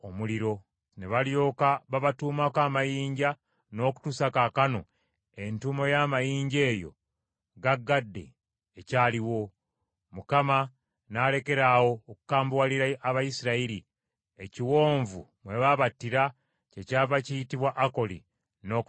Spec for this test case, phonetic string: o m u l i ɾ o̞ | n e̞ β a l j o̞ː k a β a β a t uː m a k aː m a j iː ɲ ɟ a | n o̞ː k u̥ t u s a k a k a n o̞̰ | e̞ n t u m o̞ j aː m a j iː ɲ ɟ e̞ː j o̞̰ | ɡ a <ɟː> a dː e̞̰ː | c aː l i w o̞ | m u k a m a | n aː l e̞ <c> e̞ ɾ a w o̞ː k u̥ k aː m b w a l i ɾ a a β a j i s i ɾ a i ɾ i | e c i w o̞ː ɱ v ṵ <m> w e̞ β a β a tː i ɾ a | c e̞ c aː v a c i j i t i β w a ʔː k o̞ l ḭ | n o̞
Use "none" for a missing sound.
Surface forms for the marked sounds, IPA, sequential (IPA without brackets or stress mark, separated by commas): ɡː, k, m